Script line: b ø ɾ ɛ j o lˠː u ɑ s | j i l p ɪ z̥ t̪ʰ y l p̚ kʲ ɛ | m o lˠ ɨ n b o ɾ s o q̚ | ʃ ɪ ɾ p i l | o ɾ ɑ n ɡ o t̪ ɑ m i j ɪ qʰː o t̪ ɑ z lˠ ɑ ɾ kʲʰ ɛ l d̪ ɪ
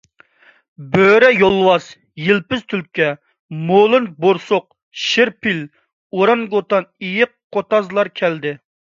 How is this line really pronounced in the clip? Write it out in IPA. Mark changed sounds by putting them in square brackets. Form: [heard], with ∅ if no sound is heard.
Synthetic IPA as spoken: b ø ɾ ɛ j o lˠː [w] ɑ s | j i l p ɪ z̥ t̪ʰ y l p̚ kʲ ɛ | m o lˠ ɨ n b o ɾ s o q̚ | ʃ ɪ ɾ p i l | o ɾ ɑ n ɡ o t̪ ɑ [n] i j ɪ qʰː o t̪ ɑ z lˠ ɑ ɾ kʲʰ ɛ l d̪ ɪ